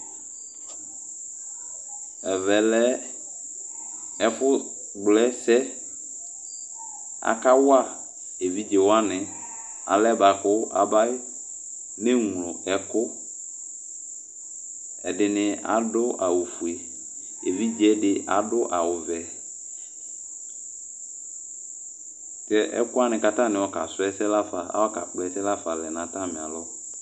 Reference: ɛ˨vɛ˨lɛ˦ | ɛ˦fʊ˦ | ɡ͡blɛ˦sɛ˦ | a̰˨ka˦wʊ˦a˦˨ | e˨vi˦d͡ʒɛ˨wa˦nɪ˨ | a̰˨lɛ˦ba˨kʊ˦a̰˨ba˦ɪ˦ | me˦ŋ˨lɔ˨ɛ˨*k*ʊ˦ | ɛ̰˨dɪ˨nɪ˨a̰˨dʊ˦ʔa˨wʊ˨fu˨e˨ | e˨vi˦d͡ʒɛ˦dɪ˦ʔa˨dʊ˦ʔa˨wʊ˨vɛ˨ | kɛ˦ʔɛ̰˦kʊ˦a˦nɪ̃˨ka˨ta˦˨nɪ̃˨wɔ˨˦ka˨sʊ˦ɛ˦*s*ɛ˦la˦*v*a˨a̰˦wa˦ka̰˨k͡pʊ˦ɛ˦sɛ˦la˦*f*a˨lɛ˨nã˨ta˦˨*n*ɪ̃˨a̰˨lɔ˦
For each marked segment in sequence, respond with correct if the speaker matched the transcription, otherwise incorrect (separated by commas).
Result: correct, correct, incorrect, correct, incorrect